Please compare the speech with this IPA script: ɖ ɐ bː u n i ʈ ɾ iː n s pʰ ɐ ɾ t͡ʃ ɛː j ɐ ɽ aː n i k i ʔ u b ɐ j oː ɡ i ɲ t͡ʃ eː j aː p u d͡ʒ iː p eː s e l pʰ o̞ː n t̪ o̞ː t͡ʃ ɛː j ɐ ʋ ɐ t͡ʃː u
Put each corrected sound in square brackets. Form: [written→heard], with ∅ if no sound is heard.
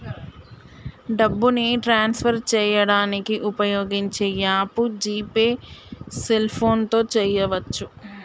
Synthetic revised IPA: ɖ ɐ bː u n i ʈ ɾ [iː→aː] n s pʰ ɐ ɾ t͡ʃ ɛː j ɐ ɽ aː n i k i ʔ u [b→p] ɐ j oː ɡ i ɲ t͡ʃ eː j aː p u d͡ʒ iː p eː s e l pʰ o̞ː n t̪ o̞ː t͡ʃ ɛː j ɐ ʋ ɐ t͡ʃː u